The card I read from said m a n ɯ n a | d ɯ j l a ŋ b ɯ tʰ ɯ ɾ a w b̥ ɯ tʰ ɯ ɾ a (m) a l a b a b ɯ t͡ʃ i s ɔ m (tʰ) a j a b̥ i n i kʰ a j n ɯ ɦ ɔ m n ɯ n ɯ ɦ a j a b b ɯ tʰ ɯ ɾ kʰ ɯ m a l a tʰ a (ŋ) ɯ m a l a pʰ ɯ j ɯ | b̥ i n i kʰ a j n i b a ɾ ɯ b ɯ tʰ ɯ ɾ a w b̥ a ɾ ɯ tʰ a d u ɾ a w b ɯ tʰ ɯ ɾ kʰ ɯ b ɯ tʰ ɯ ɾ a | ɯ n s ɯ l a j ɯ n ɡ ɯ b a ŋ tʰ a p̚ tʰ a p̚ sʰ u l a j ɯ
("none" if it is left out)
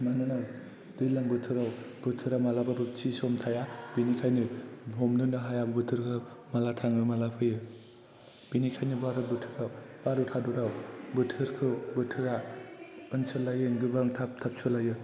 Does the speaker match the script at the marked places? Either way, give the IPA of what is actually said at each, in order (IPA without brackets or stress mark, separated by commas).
m, tʰ, ŋ